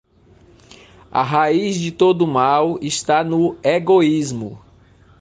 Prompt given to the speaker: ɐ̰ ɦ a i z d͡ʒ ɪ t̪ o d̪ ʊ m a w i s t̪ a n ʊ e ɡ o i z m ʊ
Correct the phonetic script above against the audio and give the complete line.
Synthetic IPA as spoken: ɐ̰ ɦ a i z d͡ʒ ɪ t̪ o d̪ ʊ m a w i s t̪ a n ʊ e ɡ o i z m ʊ